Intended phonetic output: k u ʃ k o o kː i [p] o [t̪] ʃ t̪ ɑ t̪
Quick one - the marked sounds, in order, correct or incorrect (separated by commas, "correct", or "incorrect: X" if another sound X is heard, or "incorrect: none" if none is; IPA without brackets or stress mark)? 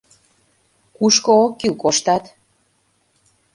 incorrect: k, incorrect: none